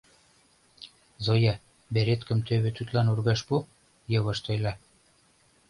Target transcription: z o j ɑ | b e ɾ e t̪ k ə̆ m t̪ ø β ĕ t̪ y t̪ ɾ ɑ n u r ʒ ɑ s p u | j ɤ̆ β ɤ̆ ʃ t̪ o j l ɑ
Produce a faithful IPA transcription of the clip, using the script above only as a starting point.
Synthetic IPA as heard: z o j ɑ | b e ɾ e t̪ k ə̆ m t̪ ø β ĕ t̪ y t̪ l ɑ n u r ɣ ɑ ʃ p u | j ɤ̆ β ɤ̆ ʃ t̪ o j l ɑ